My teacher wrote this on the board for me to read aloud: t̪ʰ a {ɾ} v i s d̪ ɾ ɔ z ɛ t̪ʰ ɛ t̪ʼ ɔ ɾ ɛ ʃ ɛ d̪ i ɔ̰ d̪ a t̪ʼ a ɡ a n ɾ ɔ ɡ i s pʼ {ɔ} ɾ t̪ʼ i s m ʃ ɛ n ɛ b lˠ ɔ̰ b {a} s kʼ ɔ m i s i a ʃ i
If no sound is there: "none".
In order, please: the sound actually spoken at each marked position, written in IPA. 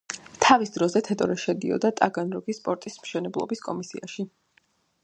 none, ɔ, i

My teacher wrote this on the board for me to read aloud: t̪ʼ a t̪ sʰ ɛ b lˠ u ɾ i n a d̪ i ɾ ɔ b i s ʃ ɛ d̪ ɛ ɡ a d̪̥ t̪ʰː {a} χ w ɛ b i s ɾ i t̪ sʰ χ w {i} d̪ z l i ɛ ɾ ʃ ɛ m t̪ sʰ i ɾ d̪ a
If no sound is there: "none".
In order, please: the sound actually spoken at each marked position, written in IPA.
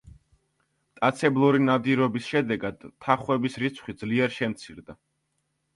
a, i

